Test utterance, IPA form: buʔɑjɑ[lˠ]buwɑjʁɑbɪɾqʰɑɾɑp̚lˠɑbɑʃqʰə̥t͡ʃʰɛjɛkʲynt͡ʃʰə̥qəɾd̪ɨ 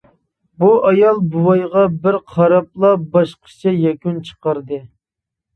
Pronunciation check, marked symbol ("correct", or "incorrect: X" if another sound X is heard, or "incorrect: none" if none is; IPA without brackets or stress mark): correct